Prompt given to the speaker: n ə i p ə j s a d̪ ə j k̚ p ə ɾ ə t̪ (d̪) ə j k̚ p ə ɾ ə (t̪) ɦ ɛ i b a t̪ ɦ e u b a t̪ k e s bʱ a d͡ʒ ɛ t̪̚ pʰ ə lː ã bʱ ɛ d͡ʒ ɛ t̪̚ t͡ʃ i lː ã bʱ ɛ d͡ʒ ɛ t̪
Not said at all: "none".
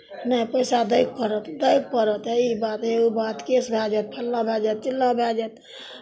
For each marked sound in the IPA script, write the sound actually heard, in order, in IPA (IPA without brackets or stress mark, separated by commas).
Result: d̪, t̪